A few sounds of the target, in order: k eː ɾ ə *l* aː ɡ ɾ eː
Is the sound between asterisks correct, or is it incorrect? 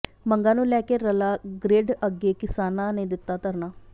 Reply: correct